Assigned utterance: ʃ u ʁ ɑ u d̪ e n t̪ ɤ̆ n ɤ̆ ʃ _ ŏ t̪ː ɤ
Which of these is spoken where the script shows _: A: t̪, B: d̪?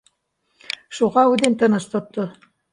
A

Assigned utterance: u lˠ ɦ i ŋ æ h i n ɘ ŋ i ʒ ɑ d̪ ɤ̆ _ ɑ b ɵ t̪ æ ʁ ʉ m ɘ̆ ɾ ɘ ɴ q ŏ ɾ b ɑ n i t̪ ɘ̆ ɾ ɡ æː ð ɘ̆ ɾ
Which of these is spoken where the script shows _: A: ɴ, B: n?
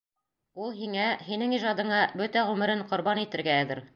A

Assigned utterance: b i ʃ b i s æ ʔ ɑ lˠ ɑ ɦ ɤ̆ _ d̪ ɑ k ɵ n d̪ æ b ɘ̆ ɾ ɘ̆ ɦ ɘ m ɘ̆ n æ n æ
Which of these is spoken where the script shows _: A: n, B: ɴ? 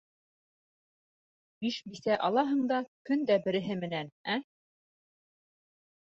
B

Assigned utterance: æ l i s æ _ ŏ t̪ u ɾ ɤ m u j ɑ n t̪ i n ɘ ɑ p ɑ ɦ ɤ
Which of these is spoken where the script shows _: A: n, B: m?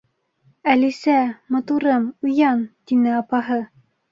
B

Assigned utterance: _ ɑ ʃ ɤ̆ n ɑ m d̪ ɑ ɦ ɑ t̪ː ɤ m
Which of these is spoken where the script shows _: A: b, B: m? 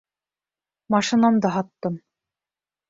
B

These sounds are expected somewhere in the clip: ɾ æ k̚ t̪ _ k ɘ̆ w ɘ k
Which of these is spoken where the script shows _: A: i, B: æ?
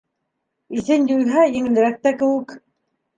B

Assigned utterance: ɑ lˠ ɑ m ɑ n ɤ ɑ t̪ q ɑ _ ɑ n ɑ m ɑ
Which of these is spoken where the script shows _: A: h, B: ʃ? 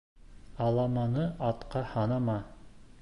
A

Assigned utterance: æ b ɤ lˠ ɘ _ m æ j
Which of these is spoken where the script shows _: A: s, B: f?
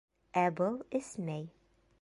A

